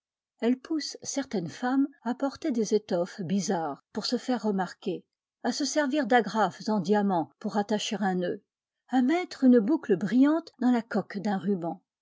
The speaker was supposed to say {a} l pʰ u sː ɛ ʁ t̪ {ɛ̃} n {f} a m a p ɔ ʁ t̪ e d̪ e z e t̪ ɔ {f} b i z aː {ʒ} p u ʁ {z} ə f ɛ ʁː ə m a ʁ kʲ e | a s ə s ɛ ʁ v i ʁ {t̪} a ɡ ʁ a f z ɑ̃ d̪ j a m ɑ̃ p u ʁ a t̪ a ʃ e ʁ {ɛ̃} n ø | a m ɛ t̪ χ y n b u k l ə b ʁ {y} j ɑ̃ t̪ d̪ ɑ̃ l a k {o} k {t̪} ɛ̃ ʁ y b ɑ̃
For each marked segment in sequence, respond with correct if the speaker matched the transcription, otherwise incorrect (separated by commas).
incorrect, incorrect, correct, correct, incorrect, incorrect, incorrect, correct, incorrect, incorrect, incorrect